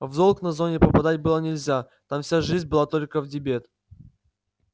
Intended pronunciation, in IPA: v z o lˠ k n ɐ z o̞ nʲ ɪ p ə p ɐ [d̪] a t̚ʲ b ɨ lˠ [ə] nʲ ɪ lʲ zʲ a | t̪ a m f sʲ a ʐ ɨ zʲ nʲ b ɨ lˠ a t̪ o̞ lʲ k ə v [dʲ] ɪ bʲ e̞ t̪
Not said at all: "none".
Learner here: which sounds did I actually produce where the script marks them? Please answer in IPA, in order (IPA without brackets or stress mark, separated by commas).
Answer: d̪, ə, dʲ